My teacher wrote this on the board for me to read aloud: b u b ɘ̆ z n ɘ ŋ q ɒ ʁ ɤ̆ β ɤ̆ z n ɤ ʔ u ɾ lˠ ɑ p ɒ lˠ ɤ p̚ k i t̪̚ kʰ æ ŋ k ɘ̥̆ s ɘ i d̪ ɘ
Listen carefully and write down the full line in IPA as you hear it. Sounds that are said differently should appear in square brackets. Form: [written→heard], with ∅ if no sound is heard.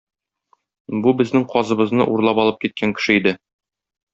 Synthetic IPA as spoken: b u b ɘ̆ z n ɘ ŋ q ɒ [ʁ→z] ɤ̆ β ɤ̆ z n ɤ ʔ u ɾ lˠ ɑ p ɒ lˠ ɤ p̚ k i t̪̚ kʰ æ ŋ k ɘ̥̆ [s→ʃ] ɘ i d̪ ɘ